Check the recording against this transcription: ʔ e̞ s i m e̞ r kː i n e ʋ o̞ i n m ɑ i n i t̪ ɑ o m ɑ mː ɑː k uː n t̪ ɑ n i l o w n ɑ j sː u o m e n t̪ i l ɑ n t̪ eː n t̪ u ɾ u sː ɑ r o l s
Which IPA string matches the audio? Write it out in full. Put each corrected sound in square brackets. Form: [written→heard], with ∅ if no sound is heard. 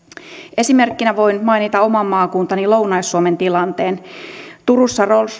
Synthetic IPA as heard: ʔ e̞ s i m e̞ r kː i n [e→æ] ʋ o̞ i n m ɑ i n i t̪ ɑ o m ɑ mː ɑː k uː n t̪ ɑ n i l o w n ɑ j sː u o m e n t̪ i l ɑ n t̪ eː n t̪ u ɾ u sː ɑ r o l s